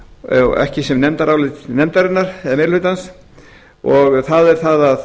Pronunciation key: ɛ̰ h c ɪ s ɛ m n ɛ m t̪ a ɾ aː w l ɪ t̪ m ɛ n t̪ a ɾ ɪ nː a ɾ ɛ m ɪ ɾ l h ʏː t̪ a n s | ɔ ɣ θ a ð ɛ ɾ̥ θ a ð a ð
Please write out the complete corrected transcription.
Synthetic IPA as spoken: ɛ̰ h c ɪ s ɛ m n ɛ m t̪ a ɾ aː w l ɪ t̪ n ɛ m t̪ a ɾ ɪ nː a ɾ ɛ m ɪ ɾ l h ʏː t̪ a n s | ɔ ɣ θ a ð ɛ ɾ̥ θ a ð a ð

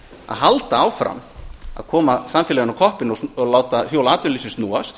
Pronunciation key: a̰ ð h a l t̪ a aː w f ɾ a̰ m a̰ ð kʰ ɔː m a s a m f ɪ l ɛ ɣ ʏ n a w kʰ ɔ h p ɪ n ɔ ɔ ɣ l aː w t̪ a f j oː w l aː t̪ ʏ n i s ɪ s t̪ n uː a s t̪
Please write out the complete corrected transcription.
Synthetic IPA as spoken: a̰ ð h a l t̪ a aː w f ɾ a̰ m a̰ ð kʰ ɔː m a s a m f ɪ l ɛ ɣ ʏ n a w kʰ ɔ h p ɪ n ɔ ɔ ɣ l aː w t̪ a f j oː w l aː t̪ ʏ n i s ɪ s t̪ n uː a s t̪

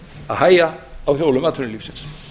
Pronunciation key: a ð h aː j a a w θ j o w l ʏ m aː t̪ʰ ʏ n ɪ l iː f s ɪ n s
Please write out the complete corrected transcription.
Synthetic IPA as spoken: a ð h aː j a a w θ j o w l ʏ m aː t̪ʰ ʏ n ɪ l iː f s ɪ n s

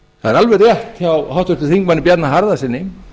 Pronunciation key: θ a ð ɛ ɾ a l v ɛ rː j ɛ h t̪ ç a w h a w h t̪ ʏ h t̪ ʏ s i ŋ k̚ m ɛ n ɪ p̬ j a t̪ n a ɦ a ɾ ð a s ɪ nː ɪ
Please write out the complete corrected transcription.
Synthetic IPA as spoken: θ a ð ɛ ɾ a l v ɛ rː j ɛ h t̪ ç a w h a w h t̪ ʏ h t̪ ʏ θ i ŋ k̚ m a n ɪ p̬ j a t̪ n a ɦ a ɾ ð a s ɪ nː ɪ

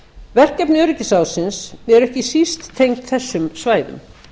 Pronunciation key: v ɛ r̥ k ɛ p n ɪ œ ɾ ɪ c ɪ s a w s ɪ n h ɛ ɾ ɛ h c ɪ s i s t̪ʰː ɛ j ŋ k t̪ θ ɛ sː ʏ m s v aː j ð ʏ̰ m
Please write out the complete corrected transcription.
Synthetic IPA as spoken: v ɛ r̥ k ɛ p n ɪ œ ɾ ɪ c ɪ s a w s ɪ n s ɛ ɾ ɛ h c ɪ s i s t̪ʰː e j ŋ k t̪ θ ɛ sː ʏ m s v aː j ð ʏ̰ m

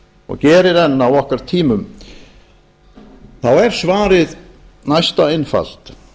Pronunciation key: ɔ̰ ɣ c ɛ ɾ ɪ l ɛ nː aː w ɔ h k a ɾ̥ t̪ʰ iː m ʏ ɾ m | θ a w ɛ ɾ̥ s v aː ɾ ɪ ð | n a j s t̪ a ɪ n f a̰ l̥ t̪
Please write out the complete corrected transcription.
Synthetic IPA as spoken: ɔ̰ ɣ c ɛː ɾ ɪ ɾ ɛ nː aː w ɔ h k a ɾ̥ t̪ʰ iː m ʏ m | θ a w ɛ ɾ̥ s v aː ɾ ɪ ð | n a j s t̪ a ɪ n f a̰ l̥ t̪

